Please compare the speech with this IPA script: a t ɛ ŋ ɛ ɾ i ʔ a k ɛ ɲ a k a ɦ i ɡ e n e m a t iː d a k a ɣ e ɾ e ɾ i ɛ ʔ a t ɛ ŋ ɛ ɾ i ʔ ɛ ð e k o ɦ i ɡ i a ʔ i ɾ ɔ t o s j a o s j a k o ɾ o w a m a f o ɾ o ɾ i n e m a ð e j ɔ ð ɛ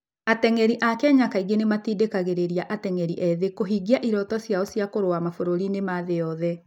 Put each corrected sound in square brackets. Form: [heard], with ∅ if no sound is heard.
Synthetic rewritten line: a t ɛ ŋ ɛ ɾ i ʔ a k ɛ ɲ a k a [∅] i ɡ e n e m a t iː d [e] k a ɣ e ɾ e ɾ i [a] ʔ a t ɛ ŋ ɛ ɾ i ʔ ɛ ð e k o ɦ i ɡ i a ʔ i ɾ ɔ t [ɔ] s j a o s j a k o ɾ o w a m a f o ɾ o ɾ i n e m a ð e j ɔ ð ɛ